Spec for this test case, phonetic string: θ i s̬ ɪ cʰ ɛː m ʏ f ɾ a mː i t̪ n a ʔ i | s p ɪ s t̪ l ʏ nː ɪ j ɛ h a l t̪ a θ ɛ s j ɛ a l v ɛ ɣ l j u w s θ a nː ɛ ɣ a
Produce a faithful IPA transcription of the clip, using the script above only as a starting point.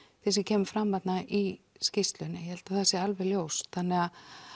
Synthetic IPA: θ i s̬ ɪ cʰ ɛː m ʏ f ɾ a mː a t̪ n a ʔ i | s c ɪ s t̪ l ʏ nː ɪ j ɛ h ɛ l t̪ a θ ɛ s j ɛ a l v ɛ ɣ l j o w s θ a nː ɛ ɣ a